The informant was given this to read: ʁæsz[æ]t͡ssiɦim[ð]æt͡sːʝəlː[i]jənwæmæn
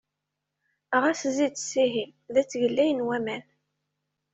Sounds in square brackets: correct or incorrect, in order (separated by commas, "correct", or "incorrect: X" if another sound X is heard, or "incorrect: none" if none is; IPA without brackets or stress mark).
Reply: incorrect: i, correct, incorrect: æ